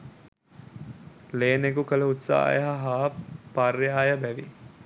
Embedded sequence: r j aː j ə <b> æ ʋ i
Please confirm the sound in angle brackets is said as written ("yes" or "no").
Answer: yes